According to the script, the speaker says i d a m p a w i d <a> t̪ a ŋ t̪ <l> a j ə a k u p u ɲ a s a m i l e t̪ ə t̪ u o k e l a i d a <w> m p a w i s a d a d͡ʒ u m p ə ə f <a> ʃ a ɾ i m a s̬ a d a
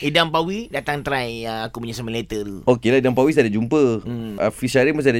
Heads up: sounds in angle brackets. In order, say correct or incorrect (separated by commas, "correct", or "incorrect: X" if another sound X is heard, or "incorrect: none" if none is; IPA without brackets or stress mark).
correct, incorrect: ɾ, incorrect: none, incorrect: i